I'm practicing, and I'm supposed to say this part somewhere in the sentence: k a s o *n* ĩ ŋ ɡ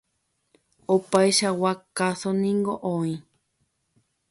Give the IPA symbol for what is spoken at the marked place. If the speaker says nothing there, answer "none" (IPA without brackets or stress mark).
n